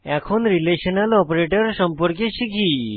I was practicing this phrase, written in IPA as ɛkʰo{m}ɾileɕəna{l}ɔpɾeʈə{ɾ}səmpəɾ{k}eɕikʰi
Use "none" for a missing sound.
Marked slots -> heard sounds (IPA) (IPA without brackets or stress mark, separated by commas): n, l, ɾ, k